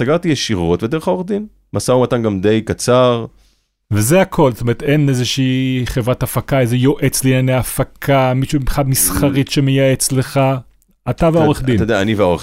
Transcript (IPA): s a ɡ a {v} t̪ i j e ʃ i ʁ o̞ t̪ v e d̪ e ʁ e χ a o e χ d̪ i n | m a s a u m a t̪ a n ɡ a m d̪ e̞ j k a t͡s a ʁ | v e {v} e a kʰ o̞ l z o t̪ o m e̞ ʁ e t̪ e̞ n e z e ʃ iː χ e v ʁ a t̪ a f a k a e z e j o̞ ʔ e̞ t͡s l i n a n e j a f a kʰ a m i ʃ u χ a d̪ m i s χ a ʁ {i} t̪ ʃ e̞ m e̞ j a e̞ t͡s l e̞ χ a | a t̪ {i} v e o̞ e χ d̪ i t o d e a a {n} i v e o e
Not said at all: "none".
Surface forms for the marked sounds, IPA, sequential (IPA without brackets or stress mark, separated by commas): ʁ, z, i, a, n